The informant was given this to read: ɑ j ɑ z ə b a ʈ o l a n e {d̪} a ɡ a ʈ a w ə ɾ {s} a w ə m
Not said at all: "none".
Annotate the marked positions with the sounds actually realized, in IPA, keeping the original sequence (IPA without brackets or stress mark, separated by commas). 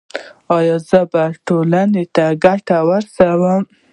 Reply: t̪, s